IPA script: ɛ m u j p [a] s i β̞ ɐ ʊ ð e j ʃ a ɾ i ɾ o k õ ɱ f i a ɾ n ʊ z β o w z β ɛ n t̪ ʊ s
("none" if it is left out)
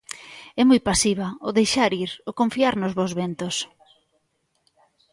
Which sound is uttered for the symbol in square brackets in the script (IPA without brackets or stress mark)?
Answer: a